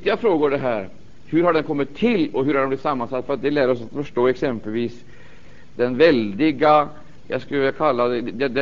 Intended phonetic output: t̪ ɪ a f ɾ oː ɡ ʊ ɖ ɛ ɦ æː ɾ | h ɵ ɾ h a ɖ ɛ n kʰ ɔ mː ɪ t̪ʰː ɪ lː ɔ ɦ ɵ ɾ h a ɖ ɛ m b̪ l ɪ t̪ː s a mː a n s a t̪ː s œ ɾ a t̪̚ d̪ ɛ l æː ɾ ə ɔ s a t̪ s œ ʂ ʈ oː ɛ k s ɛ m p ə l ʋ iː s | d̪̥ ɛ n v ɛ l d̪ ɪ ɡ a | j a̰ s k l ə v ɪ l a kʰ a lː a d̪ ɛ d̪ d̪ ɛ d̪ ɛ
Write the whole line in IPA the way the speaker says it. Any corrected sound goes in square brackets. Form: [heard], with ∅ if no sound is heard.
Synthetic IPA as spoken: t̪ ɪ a f ɾ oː ɡ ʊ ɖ ɛ ɦ æː ɾ | h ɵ ɾ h a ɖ ɛ n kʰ ɔ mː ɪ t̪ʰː ɪ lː ɔ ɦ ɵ ɾ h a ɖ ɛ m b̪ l ɪ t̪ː s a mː a n s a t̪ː [f] œ ɾ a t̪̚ d̪ ɛ l æː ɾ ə ɔ s a t̪ [f] œ ʂ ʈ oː ɛ k s ɛ m p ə l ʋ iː s | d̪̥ ɛ n v ɛ l d̪ ɪ ɡ a | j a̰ s k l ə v ɪ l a kʰ a lː a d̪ ɛ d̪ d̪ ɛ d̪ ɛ